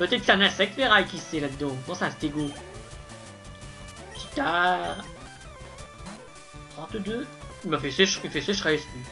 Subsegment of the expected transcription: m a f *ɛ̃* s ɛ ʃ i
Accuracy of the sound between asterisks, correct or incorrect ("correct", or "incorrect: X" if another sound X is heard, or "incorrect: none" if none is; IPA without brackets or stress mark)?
incorrect: ɛ